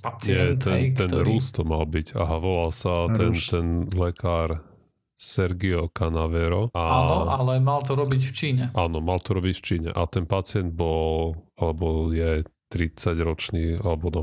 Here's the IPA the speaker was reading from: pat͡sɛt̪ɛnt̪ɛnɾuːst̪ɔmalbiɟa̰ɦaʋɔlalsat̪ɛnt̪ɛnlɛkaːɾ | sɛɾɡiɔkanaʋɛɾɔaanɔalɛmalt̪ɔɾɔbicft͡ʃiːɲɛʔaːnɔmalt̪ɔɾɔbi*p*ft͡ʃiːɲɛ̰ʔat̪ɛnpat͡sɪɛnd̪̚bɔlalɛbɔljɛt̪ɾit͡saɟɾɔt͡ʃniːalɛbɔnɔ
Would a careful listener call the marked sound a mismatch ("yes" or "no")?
yes